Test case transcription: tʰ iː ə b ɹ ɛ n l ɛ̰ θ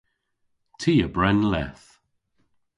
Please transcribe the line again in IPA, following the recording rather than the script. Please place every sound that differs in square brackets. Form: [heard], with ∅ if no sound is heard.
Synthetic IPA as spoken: tʰ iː ə b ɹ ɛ n l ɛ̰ θ